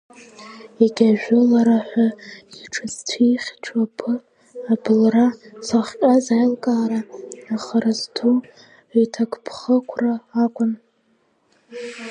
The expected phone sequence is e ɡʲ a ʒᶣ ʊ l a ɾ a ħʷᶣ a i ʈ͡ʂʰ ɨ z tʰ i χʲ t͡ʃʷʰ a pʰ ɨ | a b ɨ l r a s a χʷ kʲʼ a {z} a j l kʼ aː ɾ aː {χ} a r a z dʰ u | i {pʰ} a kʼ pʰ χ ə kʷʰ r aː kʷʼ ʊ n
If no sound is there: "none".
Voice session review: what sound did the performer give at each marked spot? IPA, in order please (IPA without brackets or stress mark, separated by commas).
z, χ, tʰ